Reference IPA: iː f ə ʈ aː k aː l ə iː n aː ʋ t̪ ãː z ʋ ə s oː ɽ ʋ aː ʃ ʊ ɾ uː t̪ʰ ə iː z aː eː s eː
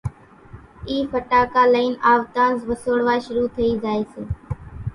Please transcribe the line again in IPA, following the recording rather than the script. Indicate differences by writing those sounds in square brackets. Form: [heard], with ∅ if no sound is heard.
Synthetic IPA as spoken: iː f ə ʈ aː k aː l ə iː n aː ʋ t̪ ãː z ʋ ə s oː ɽ ʋ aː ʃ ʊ ɾ uː t̪ʰ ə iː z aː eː s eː